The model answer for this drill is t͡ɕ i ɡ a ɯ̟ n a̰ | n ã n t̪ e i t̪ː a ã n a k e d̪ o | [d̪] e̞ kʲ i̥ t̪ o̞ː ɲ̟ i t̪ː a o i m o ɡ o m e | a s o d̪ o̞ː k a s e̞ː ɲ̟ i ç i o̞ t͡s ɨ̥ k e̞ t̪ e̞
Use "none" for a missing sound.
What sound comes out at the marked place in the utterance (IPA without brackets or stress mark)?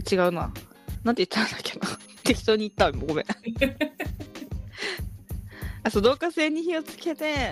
t̪